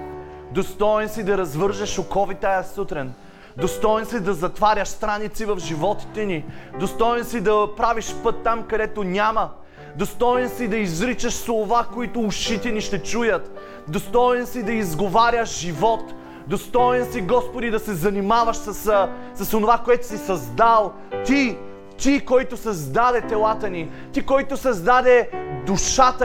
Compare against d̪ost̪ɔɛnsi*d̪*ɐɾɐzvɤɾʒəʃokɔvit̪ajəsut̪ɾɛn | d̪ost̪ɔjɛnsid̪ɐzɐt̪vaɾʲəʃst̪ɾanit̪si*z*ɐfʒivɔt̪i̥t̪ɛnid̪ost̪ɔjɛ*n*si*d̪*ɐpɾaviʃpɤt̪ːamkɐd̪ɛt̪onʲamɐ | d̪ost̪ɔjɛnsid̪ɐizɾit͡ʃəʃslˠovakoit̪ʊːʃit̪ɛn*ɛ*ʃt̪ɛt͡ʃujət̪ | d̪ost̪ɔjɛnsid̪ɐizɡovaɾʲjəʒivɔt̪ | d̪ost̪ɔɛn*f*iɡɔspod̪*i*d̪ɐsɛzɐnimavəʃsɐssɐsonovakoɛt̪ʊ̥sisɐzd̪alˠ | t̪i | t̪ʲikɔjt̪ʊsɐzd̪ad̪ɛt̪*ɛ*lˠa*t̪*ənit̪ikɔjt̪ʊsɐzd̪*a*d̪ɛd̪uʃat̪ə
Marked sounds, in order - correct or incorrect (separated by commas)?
correct, incorrect, correct, correct, incorrect, incorrect, correct, correct, correct, correct